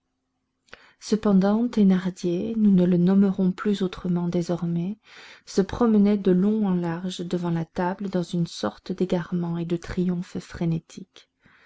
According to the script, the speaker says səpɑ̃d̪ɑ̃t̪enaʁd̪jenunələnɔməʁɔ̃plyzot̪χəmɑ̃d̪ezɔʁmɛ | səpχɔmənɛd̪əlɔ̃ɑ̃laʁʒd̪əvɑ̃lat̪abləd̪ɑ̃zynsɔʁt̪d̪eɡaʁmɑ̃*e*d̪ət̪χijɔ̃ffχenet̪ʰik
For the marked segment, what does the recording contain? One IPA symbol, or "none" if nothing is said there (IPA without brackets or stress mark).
e